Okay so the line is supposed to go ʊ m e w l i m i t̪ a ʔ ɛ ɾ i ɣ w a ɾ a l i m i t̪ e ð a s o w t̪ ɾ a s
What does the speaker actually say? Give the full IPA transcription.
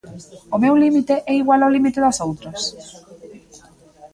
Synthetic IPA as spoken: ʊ m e w l i m i t̪ e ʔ ɛ i ɣ w a l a l i m i t̪ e ð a s o w t̪ ɾ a s